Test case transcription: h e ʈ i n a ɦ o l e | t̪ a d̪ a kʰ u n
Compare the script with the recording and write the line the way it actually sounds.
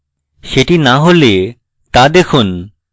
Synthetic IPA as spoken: ʃ e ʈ i n a ɦ o l e | t̪ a d̪ e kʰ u n